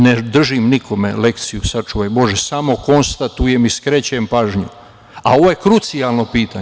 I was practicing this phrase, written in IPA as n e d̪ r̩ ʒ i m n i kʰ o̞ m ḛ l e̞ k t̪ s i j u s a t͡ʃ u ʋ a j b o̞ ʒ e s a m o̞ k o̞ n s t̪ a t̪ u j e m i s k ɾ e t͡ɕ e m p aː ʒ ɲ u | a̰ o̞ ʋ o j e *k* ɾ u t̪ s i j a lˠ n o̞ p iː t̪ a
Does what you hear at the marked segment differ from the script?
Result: no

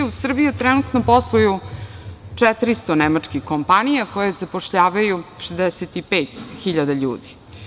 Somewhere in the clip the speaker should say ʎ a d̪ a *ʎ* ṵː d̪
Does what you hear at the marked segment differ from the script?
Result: no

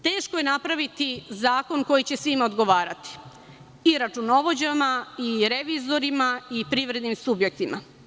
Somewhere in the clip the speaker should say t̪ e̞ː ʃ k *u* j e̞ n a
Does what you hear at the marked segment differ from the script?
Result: yes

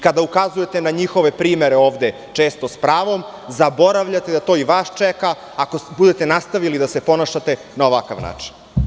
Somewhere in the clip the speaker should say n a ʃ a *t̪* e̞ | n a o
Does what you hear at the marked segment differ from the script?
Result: no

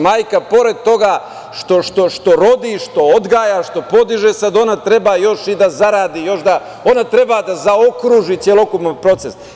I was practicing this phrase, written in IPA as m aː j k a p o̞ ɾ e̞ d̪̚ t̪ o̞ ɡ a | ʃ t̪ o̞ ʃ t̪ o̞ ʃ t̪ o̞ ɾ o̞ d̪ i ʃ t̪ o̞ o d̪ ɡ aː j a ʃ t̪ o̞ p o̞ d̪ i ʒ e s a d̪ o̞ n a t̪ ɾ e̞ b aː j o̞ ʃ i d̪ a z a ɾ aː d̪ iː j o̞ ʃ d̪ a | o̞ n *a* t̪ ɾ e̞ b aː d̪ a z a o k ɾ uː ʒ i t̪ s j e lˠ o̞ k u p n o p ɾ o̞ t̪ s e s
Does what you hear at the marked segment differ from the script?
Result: no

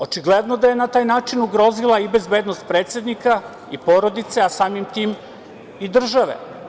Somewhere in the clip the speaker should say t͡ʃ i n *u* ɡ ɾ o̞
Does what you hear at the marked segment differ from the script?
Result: no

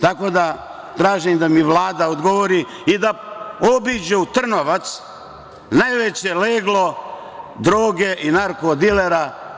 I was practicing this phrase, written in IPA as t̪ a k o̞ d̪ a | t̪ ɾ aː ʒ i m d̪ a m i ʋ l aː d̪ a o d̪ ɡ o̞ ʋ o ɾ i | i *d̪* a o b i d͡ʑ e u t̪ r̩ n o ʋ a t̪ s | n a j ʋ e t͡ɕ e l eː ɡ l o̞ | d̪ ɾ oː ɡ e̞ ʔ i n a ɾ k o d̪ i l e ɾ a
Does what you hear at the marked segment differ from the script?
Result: no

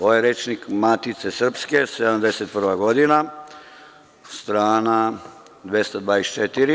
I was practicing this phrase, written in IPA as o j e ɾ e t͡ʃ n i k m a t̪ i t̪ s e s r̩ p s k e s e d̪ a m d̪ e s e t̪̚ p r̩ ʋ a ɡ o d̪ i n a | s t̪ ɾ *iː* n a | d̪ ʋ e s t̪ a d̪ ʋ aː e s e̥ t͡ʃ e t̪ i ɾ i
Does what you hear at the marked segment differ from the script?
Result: yes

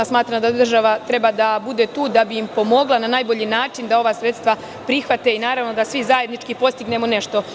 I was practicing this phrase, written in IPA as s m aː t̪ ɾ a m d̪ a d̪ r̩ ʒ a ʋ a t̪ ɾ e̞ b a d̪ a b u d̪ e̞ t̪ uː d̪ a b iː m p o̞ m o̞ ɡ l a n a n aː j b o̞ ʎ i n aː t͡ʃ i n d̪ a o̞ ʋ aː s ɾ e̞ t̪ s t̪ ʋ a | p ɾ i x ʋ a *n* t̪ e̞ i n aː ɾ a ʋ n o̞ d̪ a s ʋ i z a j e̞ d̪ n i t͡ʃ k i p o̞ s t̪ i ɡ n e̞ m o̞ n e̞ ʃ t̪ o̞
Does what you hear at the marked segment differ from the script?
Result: yes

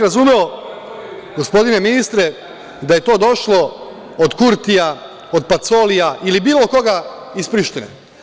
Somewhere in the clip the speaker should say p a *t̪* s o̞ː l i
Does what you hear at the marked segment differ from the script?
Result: no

